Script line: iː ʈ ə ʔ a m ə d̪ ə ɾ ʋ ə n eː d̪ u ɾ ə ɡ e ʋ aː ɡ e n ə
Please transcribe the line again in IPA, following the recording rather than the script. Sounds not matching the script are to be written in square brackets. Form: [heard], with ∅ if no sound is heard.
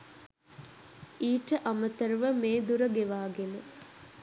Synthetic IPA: iː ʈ ə ʔ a m ə [t̪] ə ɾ ʋ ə [m] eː d̪ u ɾ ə ɡ e ʋ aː ɡ e n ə

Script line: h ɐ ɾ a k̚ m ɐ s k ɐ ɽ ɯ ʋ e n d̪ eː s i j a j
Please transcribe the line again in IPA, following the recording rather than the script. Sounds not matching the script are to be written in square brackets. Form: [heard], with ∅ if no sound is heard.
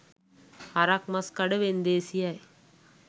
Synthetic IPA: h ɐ ɾ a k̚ m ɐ s k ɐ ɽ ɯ ʋ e n d̪ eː s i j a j

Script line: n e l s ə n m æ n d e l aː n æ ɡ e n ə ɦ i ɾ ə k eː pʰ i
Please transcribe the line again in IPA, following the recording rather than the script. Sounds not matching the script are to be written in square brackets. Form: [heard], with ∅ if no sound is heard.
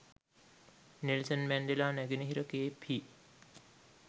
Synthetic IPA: n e l s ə n m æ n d e l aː n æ ɡ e n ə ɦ i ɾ ə k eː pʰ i

